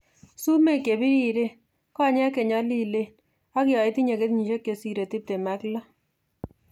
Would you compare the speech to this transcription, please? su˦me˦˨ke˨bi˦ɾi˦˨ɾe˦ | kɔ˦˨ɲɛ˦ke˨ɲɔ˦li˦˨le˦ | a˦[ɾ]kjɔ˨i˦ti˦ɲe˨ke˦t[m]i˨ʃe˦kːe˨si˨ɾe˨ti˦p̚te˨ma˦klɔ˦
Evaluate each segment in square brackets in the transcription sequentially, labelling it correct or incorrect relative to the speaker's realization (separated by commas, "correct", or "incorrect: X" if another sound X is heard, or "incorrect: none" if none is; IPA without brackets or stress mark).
incorrect: none, incorrect: ɲ